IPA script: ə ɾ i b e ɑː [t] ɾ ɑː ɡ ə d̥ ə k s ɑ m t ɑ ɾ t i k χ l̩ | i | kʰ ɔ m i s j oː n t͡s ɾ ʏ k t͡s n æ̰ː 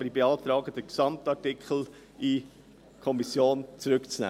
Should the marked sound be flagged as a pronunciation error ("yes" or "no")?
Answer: no